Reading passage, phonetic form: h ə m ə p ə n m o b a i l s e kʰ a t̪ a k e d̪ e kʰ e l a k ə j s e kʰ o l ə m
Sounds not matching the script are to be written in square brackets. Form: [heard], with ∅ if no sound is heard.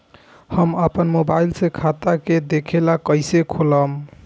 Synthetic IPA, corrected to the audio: h ə m ə p ə n m o b a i l s e kʰ a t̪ a k e d̪ e kʰ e l a k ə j s e kʰ o l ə m